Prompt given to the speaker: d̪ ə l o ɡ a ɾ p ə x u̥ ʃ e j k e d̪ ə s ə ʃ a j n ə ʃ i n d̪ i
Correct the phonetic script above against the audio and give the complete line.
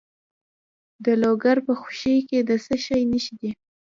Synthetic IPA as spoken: d̪ ə l o ɡ a ɾ p ə x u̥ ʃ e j k e d̪ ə s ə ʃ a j n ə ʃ i d̪ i